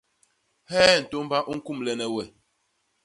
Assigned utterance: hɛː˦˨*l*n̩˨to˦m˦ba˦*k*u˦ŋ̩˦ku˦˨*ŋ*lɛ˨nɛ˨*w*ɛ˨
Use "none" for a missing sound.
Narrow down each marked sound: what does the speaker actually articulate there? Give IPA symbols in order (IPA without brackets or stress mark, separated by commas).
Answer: none, ʔ, m, w